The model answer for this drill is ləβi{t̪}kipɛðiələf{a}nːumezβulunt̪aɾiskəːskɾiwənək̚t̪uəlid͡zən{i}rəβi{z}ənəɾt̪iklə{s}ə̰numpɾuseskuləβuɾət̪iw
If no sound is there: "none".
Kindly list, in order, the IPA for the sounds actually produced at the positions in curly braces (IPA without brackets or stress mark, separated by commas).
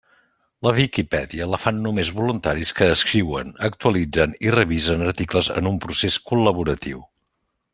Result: none, a, i, z, z